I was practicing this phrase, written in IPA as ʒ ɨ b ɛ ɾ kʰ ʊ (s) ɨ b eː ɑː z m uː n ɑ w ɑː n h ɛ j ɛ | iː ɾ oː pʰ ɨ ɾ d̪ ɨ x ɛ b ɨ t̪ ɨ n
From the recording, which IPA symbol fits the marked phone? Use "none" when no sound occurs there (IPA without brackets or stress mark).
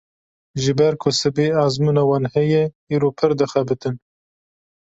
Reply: s